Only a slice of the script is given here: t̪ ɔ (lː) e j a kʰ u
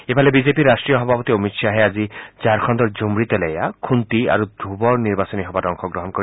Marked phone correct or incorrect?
incorrect